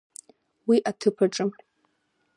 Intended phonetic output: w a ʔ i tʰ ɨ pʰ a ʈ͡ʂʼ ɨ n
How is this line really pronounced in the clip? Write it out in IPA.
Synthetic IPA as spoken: w i ʔ a tʰ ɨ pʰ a ʈ͡ʂʼ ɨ m